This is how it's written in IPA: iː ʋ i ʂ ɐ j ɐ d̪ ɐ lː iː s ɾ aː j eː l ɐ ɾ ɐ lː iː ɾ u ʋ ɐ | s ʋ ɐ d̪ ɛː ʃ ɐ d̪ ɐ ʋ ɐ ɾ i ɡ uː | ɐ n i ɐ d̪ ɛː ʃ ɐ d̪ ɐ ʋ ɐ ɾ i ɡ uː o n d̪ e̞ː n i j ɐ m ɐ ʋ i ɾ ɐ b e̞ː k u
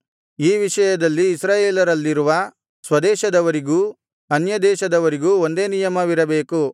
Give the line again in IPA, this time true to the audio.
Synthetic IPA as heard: iː ʋ i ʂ ɐ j ɐ d̪ ɐ lː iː s ɾ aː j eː l ɐ ɾ ɐ lː i ɾ u ʋ ɐ | s ʋ ɐ d̪ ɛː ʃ ɐ d̪ ɐ ʋ ɐ ɾ i ɡ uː | ɐ n j ɐ d̪ ɛː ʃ ɐ d̪ ɐ ʋ ɐ ɾ i ɡ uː o n d̪ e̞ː n i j ɐ m ɐ ʋ i ɾ ɐ b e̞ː k u